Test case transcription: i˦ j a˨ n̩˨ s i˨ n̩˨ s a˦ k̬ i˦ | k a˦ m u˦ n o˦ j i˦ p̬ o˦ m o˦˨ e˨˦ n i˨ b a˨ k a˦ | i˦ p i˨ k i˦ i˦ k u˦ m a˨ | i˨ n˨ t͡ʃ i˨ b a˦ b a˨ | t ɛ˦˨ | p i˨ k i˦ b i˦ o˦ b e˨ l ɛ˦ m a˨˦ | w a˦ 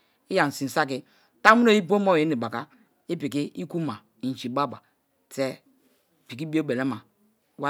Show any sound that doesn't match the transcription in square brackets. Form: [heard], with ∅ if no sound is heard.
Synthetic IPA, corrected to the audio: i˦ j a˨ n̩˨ s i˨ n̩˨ s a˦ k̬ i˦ | [t] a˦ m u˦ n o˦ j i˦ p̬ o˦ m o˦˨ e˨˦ n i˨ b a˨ k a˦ | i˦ p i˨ k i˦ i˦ k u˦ m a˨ | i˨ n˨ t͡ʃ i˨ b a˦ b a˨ | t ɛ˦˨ | p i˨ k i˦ b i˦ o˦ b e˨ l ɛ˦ m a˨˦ | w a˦

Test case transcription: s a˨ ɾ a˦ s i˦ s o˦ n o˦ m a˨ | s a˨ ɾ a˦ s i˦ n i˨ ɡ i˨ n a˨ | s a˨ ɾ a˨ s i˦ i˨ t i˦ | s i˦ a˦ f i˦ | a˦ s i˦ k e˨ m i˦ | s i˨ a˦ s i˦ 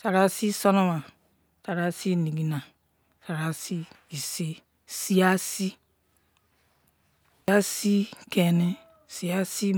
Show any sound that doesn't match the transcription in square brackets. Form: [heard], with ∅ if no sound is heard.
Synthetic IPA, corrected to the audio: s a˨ ɾ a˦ s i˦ s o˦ n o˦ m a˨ | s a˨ ɾ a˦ s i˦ n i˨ ɡ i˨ n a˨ | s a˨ ɾ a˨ s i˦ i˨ [s] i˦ | s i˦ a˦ [s] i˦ | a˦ s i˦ k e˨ [n] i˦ | s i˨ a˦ s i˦

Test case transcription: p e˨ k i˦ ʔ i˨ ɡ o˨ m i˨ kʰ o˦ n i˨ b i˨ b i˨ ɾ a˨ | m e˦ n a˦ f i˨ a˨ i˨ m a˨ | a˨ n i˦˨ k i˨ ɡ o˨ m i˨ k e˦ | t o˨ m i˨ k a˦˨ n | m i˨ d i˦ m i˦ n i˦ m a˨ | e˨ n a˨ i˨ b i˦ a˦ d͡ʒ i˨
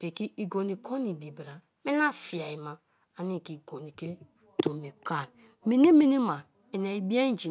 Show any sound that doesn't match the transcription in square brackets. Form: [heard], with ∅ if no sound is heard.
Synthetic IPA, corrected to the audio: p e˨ k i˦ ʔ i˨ ɡ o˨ [n] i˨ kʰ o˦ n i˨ b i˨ b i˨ ɾ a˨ | m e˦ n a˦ f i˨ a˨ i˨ m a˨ | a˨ n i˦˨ k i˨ ɡ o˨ [n] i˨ k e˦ | t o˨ m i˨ k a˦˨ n | m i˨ [n] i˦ m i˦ n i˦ m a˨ | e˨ n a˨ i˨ b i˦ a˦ d͡ʒ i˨

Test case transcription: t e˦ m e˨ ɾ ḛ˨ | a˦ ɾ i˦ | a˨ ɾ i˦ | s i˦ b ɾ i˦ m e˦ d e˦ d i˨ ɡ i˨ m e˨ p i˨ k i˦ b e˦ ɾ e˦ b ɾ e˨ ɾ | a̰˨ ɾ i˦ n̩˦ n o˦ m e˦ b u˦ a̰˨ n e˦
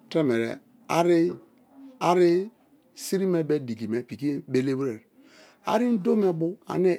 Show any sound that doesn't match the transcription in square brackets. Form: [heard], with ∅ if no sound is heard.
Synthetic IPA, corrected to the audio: t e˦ m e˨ ɾ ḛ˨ | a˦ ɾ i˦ | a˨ ɾ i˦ | s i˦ [∅] ɾ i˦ m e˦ [b] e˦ d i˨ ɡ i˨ m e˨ p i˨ k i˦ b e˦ [l] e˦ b ɾ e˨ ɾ | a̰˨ ɾ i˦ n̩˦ [d] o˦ m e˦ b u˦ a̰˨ n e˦

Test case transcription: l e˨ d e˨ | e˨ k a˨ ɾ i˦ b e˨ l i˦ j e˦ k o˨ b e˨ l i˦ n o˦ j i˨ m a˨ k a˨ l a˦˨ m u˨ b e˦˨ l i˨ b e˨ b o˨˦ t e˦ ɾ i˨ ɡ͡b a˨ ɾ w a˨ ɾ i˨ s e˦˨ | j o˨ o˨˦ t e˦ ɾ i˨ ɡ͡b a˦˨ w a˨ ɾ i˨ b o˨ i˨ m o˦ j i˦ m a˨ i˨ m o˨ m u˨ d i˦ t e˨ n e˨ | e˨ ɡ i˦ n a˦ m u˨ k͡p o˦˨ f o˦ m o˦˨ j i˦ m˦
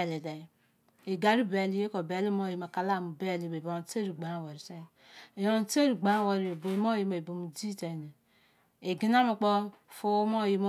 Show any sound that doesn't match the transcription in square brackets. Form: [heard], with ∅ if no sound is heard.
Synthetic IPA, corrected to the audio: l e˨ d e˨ | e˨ [ɡ] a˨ ɾ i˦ b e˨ l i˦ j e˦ k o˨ b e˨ l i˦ [m] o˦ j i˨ m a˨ k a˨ l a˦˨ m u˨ b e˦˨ l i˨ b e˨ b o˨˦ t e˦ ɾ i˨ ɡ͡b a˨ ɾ w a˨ ɾ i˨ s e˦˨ | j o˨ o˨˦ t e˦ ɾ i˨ ɡ͡b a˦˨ w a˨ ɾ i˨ b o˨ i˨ m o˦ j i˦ m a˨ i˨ [b] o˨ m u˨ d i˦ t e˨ n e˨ | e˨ ɡ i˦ n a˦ m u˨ k͡p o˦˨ f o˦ m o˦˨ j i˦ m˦

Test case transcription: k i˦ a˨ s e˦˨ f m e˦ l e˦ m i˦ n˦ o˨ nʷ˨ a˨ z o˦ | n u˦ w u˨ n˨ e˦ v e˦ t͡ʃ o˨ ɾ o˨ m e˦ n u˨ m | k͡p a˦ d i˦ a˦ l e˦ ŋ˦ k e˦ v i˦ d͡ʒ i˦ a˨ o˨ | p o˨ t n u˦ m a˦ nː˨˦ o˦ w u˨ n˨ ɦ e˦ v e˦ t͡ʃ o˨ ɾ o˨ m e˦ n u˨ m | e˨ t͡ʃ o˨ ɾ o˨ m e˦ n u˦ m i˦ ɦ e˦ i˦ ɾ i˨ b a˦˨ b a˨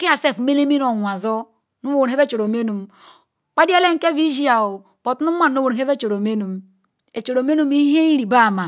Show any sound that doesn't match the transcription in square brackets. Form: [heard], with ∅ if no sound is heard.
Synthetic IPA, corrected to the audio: k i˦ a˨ s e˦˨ f m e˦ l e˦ m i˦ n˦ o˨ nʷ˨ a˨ z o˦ | n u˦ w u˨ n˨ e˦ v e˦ t͡ʃ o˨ ɾ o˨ m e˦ n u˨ m | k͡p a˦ d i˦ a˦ l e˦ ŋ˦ k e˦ v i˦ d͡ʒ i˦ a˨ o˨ | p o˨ t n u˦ m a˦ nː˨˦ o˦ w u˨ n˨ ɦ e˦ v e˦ t͡ʃ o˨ ɾ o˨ m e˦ n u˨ m | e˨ t͡ʃ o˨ ɾ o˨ m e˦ n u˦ m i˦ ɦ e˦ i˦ ɾ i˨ b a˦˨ [m] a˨

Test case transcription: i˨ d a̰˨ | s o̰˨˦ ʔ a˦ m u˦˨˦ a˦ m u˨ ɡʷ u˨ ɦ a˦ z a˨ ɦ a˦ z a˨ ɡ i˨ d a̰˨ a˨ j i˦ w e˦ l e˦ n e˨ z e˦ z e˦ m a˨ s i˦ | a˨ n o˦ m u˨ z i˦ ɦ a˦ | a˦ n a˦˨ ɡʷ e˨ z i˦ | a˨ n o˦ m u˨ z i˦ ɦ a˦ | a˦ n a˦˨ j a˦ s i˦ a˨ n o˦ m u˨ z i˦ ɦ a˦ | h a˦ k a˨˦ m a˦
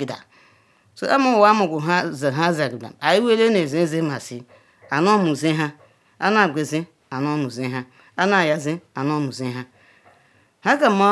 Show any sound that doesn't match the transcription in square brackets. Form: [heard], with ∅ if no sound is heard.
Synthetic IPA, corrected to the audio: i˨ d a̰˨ | s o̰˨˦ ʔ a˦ m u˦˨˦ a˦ m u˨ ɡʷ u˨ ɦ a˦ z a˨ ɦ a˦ z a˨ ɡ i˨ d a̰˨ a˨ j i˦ w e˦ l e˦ n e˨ z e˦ z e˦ m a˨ s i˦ | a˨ n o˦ m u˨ z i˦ ɦ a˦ | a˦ n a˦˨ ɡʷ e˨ z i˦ | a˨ n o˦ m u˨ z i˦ ɦ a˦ | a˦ n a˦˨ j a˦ [z] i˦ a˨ n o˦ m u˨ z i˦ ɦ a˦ | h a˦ k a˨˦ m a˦

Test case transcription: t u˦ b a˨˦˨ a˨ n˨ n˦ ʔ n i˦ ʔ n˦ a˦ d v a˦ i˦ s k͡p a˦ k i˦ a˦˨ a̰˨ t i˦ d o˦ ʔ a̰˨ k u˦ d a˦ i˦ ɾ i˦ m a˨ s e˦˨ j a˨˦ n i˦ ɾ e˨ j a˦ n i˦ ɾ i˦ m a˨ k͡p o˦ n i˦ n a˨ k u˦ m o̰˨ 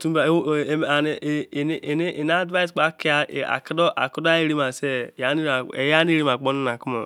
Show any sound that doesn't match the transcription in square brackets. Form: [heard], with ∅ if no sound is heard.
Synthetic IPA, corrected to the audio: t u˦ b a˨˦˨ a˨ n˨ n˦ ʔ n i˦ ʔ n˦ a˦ d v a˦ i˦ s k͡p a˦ k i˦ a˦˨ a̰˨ [k] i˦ d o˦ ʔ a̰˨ k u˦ d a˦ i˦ ɾ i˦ m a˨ s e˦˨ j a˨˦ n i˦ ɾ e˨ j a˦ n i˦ ɾ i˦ m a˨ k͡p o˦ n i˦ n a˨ k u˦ m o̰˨

